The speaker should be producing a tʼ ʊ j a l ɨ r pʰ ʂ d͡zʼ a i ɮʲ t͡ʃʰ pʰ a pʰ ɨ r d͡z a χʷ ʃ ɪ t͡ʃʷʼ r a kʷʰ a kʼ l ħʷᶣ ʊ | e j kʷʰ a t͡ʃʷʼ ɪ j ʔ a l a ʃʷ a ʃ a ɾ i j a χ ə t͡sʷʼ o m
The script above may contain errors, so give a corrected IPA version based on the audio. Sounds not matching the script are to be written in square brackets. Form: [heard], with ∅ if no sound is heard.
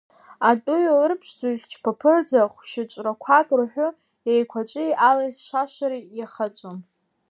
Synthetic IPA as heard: a tʼ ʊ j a l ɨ r pʰ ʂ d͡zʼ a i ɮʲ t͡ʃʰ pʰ a pʰ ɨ r d͡z a χʷ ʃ ɪ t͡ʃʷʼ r a kʷʰ a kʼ [r] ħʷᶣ ʊ | e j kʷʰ a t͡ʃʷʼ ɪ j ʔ a l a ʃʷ a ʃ a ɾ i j a χ [a] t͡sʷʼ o m